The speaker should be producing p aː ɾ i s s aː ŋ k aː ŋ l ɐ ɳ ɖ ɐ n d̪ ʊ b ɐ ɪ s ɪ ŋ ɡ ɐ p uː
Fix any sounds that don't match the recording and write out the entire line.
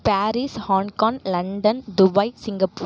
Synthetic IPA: p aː ɾ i s h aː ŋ k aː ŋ l ɐ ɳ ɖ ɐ n d̪ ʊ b ɐ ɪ s ɪ ŋ ɡ ɐ p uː